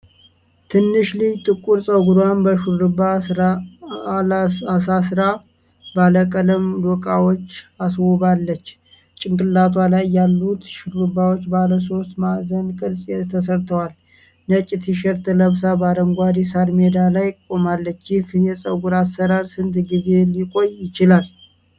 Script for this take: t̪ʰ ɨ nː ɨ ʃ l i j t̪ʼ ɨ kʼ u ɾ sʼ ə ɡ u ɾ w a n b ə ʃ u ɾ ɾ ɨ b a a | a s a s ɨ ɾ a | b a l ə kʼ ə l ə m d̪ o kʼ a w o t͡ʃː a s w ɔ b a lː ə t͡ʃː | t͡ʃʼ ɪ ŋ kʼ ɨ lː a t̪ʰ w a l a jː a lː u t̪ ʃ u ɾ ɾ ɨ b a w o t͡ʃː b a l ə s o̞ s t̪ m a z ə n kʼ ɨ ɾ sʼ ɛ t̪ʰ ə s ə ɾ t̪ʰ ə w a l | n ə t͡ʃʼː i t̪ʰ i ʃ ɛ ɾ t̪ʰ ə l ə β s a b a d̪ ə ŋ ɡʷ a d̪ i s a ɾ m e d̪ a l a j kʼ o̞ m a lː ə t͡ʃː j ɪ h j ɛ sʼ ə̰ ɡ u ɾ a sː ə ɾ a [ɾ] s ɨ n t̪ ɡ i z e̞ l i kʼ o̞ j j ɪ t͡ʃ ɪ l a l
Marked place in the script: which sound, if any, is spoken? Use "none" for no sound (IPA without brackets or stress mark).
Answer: ɾ